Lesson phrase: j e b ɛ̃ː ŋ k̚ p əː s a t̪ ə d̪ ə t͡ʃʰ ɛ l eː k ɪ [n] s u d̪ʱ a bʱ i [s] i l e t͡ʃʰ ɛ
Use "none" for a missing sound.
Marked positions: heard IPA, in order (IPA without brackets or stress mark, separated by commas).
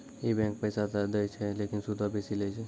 n, s